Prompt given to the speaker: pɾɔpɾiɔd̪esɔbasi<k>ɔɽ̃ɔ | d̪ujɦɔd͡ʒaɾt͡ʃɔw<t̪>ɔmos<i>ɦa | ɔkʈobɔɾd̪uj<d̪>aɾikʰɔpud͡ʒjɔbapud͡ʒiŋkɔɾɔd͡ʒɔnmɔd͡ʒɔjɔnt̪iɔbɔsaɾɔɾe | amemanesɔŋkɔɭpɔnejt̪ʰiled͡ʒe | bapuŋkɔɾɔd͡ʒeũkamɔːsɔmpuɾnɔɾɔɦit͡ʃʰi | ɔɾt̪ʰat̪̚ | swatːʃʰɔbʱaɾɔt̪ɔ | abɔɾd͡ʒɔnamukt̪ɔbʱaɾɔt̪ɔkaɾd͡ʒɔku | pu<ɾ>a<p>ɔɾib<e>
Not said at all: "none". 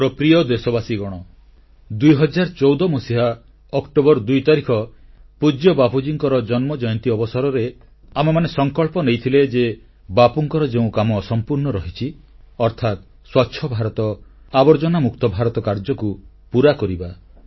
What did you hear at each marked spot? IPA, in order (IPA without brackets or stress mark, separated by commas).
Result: ɡ, d̪, i, t̪, ɾ, k, a